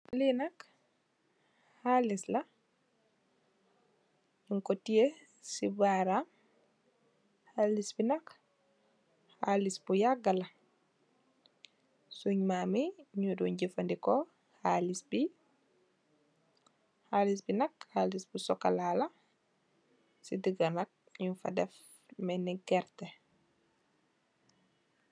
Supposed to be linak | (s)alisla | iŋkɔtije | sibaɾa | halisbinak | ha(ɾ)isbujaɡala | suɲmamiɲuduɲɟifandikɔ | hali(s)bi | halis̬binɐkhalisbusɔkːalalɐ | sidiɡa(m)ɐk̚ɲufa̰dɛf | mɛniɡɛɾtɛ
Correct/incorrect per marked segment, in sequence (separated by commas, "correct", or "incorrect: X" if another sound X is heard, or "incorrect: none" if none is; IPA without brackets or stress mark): incorrect: h, incorrect: l, correct, incorrect: n